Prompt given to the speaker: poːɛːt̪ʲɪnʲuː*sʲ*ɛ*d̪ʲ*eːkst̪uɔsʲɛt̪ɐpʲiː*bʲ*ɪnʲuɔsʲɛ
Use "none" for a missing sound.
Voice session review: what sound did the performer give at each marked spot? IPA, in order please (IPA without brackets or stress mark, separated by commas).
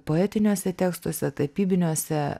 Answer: sʲ, t̪ʲ, bʲ